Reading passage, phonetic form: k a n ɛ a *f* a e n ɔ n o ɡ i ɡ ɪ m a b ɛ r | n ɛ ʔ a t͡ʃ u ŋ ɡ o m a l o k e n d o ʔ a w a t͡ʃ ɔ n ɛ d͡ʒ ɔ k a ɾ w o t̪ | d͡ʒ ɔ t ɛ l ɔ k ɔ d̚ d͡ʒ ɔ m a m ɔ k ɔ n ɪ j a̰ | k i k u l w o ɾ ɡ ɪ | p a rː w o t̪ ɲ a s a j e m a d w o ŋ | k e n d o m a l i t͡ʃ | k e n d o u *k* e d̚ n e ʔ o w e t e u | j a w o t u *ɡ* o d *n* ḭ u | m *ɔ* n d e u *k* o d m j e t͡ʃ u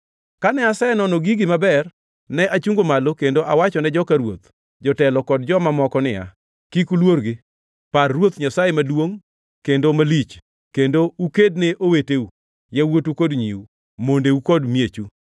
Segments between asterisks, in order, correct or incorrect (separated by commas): incorrect, correct, incorrect, incorrect, incorrect, correct